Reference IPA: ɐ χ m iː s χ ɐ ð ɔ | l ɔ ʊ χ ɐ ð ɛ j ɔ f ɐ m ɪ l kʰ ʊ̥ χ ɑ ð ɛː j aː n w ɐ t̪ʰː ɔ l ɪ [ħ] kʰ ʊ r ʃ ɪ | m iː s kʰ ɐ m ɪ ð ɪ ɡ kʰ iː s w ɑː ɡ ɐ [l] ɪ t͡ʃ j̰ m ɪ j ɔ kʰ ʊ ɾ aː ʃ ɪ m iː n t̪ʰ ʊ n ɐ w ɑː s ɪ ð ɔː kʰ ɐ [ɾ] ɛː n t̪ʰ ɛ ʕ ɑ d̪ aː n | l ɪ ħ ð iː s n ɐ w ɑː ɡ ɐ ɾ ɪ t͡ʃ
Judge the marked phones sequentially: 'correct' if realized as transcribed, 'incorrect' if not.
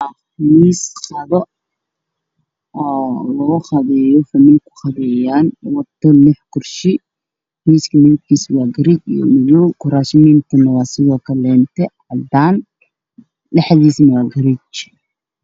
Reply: correct, incorrect, incorrect

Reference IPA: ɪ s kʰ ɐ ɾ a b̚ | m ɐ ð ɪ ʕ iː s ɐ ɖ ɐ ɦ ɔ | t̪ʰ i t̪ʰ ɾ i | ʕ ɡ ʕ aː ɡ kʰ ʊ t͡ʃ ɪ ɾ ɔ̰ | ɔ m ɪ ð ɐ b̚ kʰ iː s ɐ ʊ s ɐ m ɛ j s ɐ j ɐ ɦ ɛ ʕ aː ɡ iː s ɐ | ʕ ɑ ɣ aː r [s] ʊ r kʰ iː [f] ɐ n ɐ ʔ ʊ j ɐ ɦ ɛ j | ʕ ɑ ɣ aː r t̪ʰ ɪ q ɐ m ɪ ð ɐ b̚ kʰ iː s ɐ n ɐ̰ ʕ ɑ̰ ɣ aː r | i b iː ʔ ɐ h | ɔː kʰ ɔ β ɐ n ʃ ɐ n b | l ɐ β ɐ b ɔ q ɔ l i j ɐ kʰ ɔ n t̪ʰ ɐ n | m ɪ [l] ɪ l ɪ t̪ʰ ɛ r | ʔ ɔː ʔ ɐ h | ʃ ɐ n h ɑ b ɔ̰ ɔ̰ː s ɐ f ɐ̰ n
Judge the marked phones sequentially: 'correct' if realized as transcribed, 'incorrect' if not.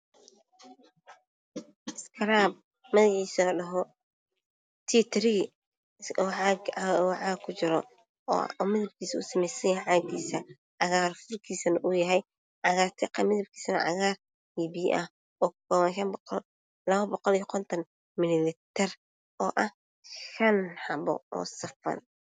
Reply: incorrect, incorrect, correct

